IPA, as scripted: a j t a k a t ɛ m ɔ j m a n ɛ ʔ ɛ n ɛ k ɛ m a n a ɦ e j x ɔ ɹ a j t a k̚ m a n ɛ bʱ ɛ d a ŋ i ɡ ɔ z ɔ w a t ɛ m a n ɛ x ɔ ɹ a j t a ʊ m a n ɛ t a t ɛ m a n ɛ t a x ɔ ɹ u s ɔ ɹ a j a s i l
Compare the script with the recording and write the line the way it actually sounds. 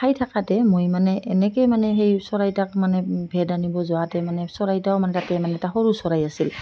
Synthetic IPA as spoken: a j tʰ a k a t ɛ m o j m a n ɛ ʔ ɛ n ɛ k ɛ m a n ɛ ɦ e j s ɔ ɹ a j t a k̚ m a n ɛ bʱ ɛ d a n i b ɔ z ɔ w a t ɛ m a n ɛ s ɔ ɹ a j t a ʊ m a n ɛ t a t ɛ m a n ɛ t a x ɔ ɹ u s ɔ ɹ a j a s i l